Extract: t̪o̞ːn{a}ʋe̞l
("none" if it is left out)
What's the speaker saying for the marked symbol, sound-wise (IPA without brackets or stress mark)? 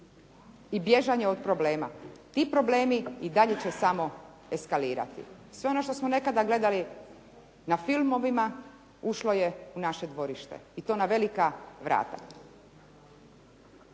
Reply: a